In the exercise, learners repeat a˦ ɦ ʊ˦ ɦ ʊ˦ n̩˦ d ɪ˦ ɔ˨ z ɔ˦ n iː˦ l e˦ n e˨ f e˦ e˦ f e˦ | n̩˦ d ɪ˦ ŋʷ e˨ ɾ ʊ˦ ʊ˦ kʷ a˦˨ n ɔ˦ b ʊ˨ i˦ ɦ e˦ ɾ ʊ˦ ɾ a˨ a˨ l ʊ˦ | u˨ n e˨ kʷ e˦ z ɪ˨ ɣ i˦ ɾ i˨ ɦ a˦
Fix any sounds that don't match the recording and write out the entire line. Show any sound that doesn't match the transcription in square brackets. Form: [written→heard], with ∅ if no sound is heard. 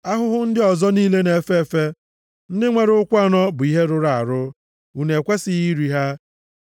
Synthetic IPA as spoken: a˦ ɦ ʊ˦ ɦ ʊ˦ n̩˦ d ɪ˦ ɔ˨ z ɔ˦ n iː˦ l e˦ n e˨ f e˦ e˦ f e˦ | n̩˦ d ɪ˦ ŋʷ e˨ ɾ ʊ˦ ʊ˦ kʷ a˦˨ n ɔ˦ b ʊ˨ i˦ ɦ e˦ ɾ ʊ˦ ɾ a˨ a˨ [l→ɾ] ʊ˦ | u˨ n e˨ kʷ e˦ [z→s] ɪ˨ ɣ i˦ ɾ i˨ ɦ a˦

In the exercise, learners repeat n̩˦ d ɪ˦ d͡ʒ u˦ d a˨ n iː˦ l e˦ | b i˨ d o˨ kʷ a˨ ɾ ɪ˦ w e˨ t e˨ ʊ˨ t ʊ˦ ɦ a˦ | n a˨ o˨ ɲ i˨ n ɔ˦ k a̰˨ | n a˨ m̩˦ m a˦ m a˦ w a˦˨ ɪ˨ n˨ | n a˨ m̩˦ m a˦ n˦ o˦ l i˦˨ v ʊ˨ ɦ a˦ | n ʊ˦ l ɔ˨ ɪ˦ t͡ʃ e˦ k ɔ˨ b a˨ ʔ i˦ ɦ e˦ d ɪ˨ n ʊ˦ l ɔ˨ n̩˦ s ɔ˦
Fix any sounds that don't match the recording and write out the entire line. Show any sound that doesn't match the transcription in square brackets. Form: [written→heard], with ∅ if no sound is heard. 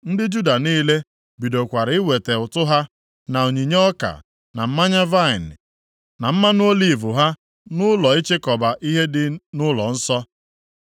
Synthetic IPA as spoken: n̩˦ d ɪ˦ d͡ʒ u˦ d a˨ n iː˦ l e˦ | b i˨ d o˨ kʷ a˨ ɾ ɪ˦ w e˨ t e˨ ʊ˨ t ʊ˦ ɦ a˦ | n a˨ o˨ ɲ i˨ [n→ɲ] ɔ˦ k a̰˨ | n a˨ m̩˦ m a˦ [m→ɲ] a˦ [w→v] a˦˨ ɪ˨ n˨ | n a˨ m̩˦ m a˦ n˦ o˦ l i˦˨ v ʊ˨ ɦ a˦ | n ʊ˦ l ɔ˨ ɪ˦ t͡ʃ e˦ k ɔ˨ b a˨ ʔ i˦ ɦ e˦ d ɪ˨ n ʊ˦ l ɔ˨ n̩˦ s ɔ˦

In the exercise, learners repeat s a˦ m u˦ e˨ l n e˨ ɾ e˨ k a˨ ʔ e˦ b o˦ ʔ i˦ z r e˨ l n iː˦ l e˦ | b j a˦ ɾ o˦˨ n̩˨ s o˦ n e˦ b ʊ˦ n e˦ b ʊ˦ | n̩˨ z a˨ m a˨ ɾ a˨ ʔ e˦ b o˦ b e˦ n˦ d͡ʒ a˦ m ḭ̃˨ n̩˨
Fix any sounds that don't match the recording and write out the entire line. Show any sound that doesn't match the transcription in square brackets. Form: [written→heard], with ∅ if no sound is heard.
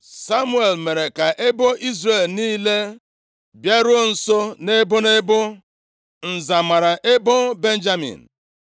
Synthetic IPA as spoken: s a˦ m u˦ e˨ l [n→m] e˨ ɾ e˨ k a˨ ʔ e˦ b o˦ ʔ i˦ z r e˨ l n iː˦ l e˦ | b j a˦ ɾ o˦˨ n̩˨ s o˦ n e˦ b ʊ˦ n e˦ b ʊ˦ | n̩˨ z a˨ m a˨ ɾ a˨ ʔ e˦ b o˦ b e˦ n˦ d͡ʒ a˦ m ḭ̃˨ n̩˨

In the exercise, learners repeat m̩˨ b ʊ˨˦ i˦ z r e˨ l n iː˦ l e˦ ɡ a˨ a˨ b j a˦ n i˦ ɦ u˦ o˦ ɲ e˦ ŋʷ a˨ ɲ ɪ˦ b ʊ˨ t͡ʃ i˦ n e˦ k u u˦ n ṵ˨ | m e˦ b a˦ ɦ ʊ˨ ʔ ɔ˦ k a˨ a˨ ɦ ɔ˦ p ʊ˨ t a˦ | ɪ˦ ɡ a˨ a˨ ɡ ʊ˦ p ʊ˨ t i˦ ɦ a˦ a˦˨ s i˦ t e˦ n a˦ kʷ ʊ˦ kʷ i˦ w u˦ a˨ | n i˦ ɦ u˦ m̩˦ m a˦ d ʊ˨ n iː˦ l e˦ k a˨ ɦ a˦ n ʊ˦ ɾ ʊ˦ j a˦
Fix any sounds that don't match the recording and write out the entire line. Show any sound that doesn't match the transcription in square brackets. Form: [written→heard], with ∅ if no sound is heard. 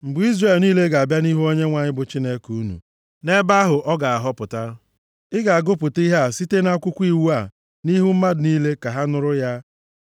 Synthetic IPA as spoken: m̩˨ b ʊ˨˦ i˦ z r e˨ l n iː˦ l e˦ ɡ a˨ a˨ b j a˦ n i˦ ɦ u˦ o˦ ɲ e˦ ŋʷ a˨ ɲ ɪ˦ b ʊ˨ t͡ʃ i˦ n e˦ k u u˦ n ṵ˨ | [m→n] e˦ b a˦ ɦ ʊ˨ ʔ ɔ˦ [k→ɡ] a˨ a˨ ɦ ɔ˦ p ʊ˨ t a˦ | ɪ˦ ɡ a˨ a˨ ɡ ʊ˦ p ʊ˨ t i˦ ɦ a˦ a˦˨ s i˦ t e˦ n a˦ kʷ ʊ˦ kʷ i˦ w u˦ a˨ | n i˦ ɦ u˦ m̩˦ m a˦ d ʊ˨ n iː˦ l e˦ k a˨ ɦ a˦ n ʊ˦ ɾ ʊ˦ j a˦

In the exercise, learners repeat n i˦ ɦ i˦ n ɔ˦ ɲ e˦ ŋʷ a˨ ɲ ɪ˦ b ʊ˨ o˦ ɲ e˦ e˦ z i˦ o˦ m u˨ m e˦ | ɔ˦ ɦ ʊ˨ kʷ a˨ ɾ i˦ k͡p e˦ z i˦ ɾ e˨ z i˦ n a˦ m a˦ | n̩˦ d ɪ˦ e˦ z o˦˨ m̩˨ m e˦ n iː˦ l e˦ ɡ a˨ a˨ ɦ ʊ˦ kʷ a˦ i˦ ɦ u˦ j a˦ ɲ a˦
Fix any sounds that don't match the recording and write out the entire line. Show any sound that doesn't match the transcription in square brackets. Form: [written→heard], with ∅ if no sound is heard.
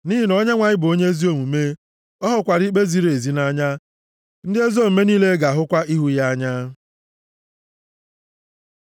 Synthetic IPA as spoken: n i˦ ɦ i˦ n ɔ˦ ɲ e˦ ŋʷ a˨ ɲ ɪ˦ b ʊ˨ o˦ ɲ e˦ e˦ z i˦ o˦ m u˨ m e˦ | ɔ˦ ɦ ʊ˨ kʷ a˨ ɾ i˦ k͡p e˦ z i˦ ɾ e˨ z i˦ n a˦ [m→ɲ] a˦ | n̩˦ d ɪ˦ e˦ z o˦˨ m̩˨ m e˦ n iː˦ l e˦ ɡ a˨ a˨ ɦ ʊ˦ kʷ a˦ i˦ ɦ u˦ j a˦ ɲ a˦

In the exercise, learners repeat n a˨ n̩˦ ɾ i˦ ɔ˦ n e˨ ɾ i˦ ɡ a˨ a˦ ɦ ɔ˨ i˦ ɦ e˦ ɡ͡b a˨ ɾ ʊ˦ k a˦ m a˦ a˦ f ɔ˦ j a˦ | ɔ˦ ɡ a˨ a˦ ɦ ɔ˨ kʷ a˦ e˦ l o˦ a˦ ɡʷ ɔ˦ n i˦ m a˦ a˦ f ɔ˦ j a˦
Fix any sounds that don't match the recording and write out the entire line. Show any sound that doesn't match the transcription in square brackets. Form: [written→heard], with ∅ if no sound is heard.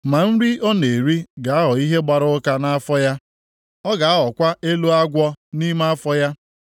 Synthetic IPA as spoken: [n→m] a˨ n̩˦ ɾ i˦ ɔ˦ n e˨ ɾ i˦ ɡ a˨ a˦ ɦ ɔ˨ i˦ ɦ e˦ ɡ͡b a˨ ɾ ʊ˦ k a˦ [m→n] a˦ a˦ f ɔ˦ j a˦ | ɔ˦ ɡ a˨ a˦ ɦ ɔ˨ kʷ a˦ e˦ l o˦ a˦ ɡʷ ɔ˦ n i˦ m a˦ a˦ f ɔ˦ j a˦

